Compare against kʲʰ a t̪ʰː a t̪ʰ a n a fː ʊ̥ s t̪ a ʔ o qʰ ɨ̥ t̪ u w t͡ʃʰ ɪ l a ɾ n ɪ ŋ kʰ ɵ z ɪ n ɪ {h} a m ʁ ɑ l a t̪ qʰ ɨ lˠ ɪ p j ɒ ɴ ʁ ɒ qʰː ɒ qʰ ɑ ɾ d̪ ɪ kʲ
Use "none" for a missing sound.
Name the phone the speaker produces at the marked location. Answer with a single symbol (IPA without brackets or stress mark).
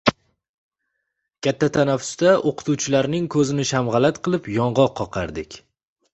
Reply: ʃ